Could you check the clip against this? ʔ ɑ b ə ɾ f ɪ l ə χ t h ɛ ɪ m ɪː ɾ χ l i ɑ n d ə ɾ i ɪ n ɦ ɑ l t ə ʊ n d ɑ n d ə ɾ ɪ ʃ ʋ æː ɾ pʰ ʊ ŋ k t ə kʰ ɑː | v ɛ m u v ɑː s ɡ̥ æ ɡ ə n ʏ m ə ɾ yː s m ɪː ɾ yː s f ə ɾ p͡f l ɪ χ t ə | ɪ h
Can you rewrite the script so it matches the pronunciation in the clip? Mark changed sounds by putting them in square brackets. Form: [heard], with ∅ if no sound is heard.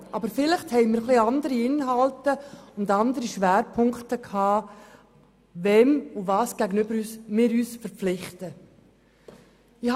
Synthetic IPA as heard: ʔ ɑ b ə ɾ f ɪ l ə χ t h ɛ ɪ m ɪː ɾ χ l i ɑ n d ə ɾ i ɪ n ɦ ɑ l t ə ʊ n d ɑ n d ə ɾ [i] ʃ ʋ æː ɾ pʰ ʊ ŋ k t ə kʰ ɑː | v ɛ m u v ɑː s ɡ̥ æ ɡ ə n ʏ [b] ə ɾ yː s m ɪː ɾ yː s f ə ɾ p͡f l ɪ χ t ə | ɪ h

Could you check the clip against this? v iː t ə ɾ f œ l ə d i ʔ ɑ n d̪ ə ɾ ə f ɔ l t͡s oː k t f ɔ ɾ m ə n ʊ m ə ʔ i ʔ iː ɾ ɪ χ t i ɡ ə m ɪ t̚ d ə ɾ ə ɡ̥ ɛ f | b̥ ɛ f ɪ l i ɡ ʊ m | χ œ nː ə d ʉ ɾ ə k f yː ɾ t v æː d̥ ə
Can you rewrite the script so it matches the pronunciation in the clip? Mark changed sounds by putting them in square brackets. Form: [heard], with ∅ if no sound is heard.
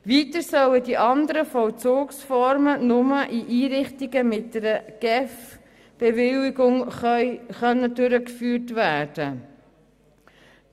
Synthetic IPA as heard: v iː t ə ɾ [s] œ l ə d i ʔ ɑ n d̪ ə ɾ ə f ɔ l t͡s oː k [s] f ɔ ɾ m ə n ʊ m ə ʔ i ʔ iː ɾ ɪ χ t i ɡ ə m ɪ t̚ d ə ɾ ə ɡ̥ ɛ f | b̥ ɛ [v] ɪ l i ɡ ʊ [ŋ] | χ œ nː ə d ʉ ɾ ə k f yː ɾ t v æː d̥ ə

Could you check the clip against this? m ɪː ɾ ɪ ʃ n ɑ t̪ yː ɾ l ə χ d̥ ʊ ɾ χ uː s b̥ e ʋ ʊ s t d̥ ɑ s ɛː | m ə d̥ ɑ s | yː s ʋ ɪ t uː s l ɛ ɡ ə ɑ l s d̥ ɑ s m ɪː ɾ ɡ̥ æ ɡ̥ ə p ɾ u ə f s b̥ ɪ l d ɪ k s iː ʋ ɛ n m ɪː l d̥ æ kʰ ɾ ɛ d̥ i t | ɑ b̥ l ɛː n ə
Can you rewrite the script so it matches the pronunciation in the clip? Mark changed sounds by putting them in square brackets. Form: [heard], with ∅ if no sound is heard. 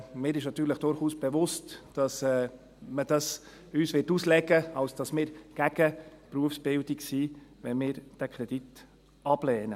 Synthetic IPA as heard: m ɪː ɾ ɪ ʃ n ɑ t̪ yː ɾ l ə χ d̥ ʊ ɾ χ uː s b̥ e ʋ ʊ s t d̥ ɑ s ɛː | m ə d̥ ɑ s | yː s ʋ ɪ t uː s l ɛ ɡ ə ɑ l s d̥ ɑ s m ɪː ɾ ɡ̥ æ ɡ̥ ə p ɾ u ə f s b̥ ɪ l d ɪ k s iː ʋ ɛ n m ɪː [ɾ] d̥ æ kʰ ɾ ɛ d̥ i t | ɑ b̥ l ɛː n ə

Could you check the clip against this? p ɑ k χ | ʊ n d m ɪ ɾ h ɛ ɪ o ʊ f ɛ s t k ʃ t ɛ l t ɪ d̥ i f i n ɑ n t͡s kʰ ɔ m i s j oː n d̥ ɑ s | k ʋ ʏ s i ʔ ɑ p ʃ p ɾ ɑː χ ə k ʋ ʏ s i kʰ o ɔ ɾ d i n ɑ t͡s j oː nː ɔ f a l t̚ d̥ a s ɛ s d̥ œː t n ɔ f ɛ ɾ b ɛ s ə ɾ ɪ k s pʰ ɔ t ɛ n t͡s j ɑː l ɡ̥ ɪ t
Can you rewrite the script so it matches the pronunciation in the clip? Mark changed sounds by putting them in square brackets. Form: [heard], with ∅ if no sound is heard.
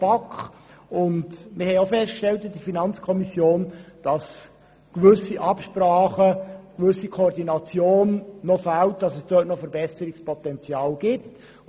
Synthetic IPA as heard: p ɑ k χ | ʊ n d m ɪ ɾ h ɛ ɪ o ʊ f ɛ s t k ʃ t ɛ l t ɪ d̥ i f i n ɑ n t͡s kʰ ɔ m i s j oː n d̥ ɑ s | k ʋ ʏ s i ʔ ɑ p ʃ p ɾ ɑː χ ə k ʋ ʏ s i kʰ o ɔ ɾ d i n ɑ t͡s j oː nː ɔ f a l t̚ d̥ [ɑ] s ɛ s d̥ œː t n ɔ f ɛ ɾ b ɛ s ə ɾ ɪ k s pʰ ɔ t ɛ n t͡s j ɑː l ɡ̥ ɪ t

